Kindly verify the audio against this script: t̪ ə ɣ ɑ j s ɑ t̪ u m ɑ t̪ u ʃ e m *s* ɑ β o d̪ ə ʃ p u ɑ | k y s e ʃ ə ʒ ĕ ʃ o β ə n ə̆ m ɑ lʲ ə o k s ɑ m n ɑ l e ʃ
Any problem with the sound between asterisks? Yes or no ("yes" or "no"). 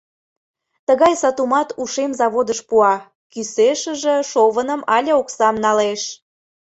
yes